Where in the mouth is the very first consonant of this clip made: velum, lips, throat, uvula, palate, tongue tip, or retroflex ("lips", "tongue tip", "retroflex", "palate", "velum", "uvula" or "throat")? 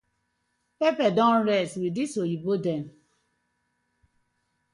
lips